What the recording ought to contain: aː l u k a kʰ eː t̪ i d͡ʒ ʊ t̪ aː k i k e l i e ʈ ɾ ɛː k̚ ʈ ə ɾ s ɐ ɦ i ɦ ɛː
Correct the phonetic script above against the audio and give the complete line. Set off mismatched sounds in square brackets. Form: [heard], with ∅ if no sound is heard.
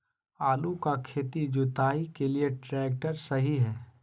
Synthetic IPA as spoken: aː l u k a kʰ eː t̪ i d͡ʒ ʊ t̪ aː [∅] i k e l i e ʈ ɾ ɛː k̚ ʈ ə ɾ s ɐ ɦ i ɦ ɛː